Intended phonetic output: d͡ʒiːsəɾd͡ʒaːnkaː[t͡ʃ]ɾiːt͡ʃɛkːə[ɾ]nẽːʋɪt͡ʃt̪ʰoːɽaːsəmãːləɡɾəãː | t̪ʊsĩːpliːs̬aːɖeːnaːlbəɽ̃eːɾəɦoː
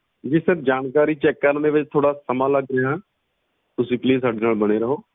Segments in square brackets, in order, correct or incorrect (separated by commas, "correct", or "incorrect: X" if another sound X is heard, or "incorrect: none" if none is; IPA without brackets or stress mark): incorrect: none, correct